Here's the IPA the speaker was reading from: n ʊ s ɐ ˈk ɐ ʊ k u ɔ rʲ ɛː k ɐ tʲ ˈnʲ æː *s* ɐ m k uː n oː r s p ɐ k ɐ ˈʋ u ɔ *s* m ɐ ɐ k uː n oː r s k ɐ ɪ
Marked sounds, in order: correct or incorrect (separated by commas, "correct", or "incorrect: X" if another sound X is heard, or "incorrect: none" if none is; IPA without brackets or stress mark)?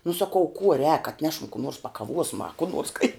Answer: incorrect: ʃ, correct